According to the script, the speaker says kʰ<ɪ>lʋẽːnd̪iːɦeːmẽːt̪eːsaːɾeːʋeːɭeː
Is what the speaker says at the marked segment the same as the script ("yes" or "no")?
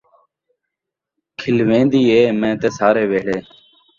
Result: yes